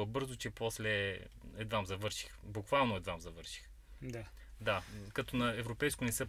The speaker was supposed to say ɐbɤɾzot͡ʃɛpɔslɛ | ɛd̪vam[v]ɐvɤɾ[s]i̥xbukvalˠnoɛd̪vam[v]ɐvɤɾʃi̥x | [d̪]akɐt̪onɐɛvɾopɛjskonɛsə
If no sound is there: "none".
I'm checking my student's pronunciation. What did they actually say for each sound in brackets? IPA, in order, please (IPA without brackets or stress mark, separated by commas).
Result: z, ʃ, z, d̪